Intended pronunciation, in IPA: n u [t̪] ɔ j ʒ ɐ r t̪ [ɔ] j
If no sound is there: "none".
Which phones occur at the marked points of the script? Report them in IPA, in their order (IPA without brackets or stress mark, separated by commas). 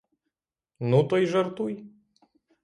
t̪, u